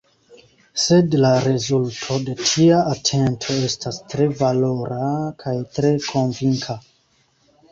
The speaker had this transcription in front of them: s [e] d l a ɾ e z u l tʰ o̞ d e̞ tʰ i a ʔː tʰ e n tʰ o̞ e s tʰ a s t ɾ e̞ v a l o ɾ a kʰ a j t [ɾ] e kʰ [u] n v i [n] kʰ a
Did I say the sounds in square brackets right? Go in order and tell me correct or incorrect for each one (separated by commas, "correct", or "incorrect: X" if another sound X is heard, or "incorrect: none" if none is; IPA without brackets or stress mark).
correct, correct, incorrect: o, incorrect: ŋ